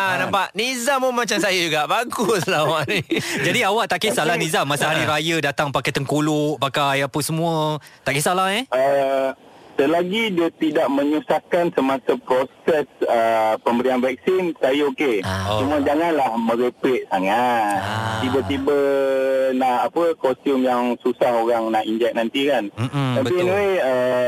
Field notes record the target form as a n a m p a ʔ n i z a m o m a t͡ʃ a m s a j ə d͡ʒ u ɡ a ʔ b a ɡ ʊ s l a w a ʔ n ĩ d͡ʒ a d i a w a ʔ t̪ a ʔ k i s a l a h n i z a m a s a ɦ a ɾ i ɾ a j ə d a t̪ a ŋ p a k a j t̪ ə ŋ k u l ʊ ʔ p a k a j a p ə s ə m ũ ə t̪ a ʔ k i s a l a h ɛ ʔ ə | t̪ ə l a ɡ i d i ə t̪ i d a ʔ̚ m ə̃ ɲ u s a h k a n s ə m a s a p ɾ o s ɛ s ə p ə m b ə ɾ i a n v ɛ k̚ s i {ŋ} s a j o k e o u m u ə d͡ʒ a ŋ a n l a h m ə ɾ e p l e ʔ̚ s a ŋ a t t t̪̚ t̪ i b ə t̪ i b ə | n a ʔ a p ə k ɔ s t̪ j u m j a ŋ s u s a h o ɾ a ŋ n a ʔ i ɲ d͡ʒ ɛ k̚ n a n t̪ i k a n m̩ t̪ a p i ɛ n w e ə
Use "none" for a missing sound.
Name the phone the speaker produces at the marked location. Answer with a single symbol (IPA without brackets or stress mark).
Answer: n